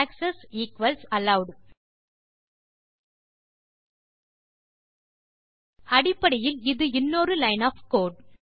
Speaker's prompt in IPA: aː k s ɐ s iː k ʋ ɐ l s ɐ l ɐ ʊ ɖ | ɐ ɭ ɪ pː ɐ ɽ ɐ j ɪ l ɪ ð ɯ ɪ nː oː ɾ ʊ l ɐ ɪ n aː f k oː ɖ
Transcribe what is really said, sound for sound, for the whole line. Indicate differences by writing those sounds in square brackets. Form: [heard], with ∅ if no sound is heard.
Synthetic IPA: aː k s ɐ s iː k ʋ ɐ l s ɐ l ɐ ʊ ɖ | ɐ [ɽ] ɪ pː ɐ ɽ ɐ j ɪ l ɪ ð ɯ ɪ nː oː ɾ [ɯ] l ɐ ɪ n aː f k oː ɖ